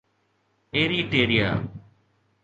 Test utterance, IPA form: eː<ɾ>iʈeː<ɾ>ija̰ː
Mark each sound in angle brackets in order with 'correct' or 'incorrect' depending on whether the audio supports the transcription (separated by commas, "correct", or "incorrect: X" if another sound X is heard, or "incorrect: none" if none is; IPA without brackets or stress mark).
correct, correct